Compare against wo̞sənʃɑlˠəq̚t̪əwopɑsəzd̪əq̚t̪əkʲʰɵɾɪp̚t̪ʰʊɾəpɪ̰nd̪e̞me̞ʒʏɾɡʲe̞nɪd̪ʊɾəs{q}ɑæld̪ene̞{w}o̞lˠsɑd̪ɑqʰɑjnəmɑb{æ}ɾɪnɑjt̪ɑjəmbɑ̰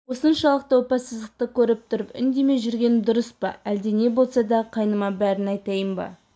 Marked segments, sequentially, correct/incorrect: incorrect: p, incorrect: b, correct

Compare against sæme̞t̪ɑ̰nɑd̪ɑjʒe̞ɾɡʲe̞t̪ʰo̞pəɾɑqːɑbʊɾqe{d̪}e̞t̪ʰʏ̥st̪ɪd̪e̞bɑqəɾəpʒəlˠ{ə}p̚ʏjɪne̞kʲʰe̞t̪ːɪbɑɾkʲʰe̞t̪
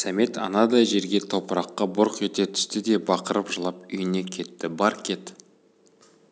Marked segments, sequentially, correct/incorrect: incorrect: t̪, incorrect: ɑ

